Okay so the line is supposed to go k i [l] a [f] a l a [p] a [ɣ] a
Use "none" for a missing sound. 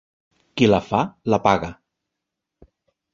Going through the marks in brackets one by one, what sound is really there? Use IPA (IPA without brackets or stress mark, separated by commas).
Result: l, f, p, ɣ